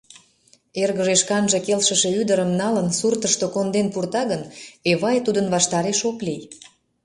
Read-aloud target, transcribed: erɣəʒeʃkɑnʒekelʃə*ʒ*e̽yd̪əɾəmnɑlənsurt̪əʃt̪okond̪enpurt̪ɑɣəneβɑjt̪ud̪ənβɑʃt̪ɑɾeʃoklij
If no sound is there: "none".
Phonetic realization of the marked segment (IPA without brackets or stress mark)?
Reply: ʃ